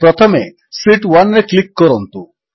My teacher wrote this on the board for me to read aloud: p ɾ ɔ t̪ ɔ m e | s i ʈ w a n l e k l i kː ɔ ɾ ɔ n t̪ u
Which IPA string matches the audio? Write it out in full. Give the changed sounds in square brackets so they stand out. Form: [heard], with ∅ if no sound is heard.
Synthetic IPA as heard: p ɾ ɔ [t̪ʰ] ɔ m e | s i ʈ w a n [ɾ] e k l i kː ɔ ɾ ɔ n t̪ u